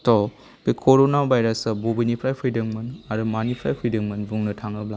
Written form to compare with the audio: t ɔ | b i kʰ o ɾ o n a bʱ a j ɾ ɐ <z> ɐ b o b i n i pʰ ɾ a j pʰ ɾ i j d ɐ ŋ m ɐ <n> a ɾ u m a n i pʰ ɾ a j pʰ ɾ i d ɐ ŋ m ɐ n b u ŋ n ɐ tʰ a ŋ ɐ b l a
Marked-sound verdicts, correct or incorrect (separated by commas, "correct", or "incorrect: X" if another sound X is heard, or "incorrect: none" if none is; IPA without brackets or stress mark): incorrect: s, correct